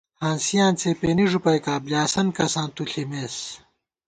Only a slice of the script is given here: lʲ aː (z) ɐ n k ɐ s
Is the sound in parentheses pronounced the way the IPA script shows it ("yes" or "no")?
no